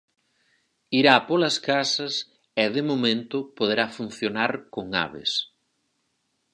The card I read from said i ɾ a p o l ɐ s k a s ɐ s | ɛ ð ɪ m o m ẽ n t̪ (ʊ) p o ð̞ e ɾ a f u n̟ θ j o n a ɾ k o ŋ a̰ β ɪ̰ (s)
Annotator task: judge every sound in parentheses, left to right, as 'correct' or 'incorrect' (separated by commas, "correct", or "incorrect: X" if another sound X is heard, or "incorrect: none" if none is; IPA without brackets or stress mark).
correct, correct